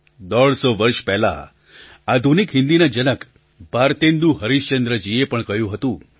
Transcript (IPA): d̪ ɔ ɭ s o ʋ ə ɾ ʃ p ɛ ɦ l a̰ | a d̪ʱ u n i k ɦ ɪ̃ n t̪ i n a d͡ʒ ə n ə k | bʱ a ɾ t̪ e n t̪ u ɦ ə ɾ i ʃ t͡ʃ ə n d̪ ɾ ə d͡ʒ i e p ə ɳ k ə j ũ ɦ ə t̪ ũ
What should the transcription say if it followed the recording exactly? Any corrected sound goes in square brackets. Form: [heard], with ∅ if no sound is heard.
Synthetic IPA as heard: d̪ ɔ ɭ s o ʋ ə ɾ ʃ p ɛ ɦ l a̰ | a d̪ʱ u n i k ɦ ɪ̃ n [d̪] i n a d͡ʒ ə n ə k | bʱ a ɾ t̪ e n [d̪] u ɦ ə ɾ i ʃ t͡ʃ ə n d̪ ɾ ə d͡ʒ i e p ə ɳ k ə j ũ ɦ ə t̪ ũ